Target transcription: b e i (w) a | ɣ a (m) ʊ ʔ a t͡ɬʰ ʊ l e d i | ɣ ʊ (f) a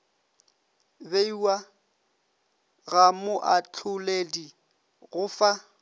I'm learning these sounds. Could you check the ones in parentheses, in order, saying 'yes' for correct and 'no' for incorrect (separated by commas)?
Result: yes, yes, yes